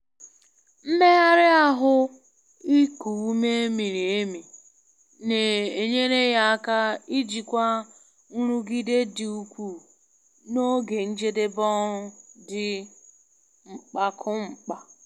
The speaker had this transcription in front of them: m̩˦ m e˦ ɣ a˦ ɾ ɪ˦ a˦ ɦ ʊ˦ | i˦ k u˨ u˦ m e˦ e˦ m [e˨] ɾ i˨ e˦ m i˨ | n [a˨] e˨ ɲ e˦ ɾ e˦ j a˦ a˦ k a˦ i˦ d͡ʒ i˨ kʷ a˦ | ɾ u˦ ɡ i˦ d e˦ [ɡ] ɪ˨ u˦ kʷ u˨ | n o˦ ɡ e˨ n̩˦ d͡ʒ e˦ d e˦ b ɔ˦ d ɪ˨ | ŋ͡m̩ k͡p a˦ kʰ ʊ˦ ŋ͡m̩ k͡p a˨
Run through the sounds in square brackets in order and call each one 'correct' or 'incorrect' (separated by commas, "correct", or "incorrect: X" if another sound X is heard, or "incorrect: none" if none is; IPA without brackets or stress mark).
incorrect: i˨, incorrect: e˨, incorrect: d